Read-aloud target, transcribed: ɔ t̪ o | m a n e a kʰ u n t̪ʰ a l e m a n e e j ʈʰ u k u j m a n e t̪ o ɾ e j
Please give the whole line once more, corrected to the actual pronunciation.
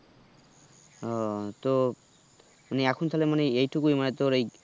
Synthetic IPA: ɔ t̪ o | m a n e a kʰ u n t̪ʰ a l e m a n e e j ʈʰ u k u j m a n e t̪ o ɾ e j